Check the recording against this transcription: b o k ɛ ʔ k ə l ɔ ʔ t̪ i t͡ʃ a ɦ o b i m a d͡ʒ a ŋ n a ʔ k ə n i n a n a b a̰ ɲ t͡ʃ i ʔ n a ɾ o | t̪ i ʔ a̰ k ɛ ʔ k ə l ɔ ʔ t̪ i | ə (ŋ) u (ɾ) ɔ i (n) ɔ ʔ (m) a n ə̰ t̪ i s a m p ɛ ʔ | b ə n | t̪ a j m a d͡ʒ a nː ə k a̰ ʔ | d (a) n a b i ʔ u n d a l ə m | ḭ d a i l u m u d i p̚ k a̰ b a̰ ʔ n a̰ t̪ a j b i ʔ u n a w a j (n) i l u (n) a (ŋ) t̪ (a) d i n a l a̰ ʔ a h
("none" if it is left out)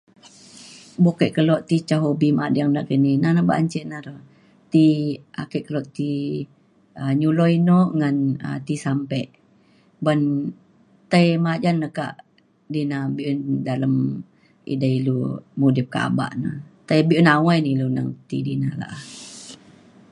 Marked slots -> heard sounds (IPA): ɲ, l, n, ŋ, i, n, n, ŋ, i

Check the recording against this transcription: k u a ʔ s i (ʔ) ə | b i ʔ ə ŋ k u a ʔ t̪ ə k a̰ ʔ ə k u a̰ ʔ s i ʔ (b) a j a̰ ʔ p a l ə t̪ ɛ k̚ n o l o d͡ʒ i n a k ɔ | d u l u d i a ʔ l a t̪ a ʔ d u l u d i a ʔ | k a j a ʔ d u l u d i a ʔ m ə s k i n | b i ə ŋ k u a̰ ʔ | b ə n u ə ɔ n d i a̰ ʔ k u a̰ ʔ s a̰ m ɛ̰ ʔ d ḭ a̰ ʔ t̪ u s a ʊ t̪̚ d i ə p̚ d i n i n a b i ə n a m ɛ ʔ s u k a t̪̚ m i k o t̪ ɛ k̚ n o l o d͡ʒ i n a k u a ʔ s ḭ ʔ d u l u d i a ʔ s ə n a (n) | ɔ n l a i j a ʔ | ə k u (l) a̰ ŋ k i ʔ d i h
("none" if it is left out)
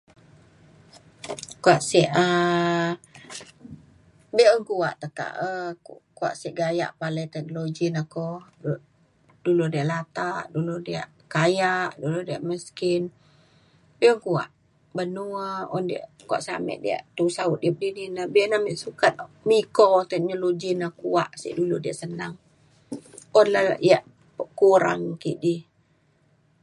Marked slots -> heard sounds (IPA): ʔ, ɡ, ŋ, ɾ

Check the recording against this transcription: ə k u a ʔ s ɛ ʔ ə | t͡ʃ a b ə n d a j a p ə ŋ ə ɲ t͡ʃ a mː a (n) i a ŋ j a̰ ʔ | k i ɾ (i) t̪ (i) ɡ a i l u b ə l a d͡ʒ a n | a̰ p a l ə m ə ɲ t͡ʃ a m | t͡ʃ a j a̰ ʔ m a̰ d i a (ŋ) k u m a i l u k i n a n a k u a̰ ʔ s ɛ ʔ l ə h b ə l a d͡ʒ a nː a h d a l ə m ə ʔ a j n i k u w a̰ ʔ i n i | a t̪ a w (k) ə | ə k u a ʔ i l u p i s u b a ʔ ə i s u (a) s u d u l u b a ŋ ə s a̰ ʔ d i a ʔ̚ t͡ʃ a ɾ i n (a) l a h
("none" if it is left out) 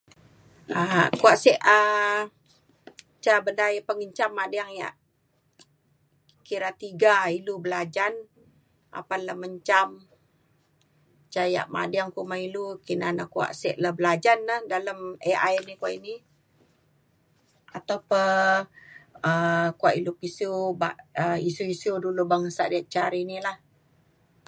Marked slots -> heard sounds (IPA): d, a, i, ŋ, p, i, i

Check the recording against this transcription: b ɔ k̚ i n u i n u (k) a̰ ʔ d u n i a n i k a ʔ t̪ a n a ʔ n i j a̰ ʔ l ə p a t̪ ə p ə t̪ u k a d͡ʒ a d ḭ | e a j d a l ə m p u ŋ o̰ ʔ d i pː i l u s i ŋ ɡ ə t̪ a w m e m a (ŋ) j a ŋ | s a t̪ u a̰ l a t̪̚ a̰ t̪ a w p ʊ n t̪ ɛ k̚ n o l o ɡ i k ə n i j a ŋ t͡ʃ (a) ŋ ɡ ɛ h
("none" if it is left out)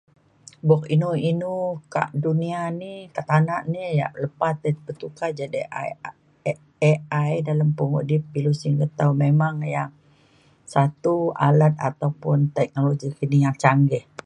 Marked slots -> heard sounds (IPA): k, ŋ, a

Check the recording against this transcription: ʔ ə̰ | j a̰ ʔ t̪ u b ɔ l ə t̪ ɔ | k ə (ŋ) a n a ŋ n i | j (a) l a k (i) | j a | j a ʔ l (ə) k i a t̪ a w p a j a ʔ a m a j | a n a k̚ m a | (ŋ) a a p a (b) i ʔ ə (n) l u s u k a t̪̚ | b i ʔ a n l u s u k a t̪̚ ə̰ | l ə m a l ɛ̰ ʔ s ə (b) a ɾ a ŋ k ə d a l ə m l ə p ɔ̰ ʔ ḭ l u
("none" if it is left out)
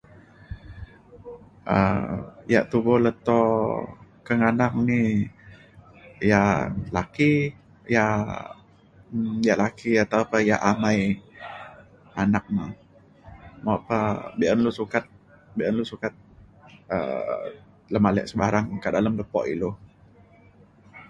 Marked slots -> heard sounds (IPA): ŋ, a, i, a, m, b, n, b

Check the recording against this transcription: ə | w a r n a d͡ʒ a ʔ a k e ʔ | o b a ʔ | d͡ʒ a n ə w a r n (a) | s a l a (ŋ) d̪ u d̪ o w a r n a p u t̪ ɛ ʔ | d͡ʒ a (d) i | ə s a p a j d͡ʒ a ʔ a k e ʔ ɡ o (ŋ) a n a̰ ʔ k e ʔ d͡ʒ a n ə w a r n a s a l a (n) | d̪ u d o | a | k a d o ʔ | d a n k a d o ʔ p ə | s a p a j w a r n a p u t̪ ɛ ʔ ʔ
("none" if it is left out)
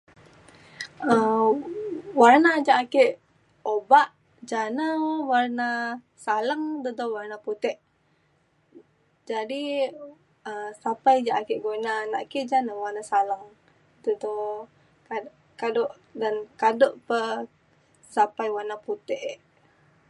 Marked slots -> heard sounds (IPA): a, ŋ, d, n, ŋ

